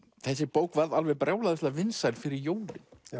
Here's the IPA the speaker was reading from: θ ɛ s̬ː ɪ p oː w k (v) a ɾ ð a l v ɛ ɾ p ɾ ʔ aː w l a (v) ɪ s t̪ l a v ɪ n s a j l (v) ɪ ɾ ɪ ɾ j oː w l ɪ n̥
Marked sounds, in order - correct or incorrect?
correct, incorrect: ð, incorrect: f

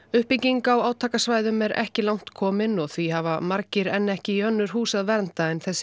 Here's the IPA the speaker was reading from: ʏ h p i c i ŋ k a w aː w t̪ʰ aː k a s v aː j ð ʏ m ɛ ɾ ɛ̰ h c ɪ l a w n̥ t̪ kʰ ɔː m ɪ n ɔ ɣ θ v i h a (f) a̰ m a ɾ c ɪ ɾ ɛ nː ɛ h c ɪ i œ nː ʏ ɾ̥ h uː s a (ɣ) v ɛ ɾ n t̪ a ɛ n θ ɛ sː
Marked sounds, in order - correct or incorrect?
incorrect: v, incorrect: ð

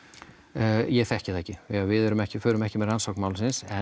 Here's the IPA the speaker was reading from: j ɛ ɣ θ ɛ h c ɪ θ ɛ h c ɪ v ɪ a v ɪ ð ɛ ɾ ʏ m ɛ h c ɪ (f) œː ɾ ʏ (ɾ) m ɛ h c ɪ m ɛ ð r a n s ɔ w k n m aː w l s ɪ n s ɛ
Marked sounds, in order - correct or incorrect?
correct, incorrect: none

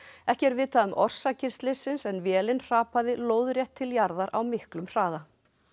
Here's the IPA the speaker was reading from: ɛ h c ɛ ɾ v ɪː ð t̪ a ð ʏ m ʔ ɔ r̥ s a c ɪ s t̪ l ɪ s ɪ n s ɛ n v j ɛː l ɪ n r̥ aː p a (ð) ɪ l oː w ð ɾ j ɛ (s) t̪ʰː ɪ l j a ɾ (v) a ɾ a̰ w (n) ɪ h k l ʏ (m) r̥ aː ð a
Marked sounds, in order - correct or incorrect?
correct, incorrect: h, incorrect: ð, incorrect: m, correct

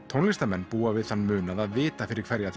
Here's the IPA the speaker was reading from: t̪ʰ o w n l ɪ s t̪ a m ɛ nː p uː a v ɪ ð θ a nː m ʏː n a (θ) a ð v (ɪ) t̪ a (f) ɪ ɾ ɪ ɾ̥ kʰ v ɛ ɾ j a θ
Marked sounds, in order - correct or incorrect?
incorrect: ð, incorrect: ɪː, correct

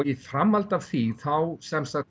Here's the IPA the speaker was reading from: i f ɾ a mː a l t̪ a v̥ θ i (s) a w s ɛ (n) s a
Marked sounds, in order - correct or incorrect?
incorrect: θ, incorrect: m

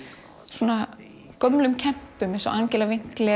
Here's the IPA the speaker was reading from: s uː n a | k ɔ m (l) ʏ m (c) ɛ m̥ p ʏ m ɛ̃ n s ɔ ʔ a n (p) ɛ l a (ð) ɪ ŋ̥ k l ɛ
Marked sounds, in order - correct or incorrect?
correct, incorrect: cʰ, incorrect: c, incorrect: v

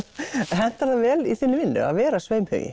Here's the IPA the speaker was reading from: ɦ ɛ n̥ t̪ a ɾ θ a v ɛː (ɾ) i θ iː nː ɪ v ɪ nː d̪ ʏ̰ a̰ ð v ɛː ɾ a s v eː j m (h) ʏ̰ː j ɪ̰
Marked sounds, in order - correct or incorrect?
incorrect: l, correct

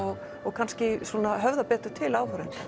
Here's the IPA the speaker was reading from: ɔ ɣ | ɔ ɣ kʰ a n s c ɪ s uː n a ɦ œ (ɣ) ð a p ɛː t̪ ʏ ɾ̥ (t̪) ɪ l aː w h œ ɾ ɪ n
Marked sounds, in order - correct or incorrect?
incorrect: v, incorrect: t̪ʰ

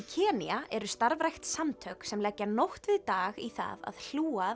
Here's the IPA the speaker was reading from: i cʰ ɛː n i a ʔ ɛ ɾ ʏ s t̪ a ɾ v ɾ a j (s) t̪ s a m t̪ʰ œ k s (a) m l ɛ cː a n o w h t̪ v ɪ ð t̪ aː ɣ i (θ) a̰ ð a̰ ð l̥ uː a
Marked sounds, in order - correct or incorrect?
incorrect: x, incorrect: ɛ, correct

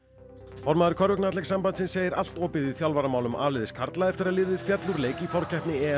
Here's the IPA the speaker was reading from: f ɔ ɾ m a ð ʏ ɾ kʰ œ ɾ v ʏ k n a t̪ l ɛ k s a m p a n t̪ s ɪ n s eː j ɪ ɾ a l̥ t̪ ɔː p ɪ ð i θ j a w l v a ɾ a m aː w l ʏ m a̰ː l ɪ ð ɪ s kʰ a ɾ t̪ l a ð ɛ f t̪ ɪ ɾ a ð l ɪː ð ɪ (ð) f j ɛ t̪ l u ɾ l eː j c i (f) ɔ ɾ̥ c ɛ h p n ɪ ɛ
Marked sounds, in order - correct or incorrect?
correct, correct

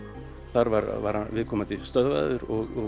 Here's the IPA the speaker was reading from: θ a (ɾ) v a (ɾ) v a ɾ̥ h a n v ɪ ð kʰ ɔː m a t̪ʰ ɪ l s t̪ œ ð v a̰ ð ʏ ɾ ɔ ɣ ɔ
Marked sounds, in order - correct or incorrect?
correct, correct

